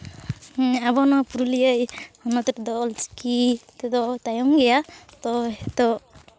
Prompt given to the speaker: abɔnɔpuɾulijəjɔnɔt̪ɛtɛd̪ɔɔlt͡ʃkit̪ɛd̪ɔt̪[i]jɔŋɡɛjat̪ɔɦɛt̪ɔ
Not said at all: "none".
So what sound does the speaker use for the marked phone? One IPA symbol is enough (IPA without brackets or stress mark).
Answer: a